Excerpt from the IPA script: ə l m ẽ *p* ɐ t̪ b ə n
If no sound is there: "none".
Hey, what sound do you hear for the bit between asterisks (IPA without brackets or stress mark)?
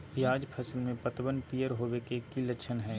p